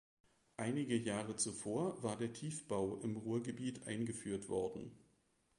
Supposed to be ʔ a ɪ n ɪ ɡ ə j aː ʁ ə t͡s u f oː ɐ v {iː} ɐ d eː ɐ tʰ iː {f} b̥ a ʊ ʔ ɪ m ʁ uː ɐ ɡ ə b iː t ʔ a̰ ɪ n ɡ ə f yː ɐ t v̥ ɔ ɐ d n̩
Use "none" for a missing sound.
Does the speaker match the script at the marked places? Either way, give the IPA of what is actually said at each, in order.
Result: aː, f

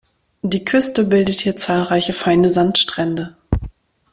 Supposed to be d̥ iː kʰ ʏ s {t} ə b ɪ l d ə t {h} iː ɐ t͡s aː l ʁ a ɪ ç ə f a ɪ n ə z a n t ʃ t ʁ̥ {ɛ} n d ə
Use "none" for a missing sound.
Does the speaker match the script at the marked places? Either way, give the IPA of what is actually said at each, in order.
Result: t, h, ɛ

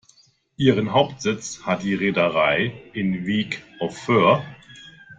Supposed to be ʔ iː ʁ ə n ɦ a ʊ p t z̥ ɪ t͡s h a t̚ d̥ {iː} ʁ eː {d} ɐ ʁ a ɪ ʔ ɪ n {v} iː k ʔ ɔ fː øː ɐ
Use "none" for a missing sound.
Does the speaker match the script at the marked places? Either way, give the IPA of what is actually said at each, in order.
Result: iː, d, v

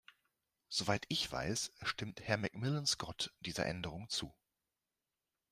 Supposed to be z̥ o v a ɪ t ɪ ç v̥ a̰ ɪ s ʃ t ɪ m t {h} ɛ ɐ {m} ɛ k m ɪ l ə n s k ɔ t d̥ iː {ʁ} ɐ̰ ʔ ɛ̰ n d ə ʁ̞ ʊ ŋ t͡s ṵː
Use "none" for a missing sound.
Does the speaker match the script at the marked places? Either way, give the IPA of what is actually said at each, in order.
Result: h, m, z

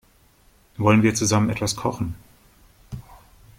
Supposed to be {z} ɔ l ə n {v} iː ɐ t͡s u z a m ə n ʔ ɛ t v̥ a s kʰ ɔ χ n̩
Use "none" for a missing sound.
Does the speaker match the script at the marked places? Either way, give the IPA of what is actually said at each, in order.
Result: v, v

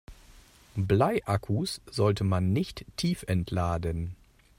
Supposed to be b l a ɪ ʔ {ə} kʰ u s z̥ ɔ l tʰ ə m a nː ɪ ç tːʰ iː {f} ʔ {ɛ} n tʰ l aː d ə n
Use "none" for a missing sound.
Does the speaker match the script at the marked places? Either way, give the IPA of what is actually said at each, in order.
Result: a, f, ɛ

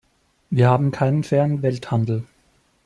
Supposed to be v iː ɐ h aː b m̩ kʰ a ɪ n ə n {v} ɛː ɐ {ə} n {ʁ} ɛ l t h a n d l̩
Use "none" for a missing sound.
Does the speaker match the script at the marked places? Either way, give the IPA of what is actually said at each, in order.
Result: f, ə, v

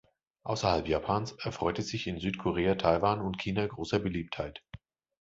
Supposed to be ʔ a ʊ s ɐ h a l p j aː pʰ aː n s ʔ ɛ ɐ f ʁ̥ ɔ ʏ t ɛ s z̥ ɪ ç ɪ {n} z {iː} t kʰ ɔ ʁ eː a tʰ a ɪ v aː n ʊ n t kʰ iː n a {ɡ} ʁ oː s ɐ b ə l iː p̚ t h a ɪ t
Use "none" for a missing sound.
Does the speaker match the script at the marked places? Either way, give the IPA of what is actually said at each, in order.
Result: n, yː, ɡ

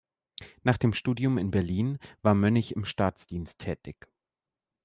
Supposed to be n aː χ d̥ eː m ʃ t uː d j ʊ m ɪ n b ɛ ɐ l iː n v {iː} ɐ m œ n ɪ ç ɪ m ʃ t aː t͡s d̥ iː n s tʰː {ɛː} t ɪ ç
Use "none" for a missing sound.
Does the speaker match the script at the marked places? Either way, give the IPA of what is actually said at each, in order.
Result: aː, ɛː

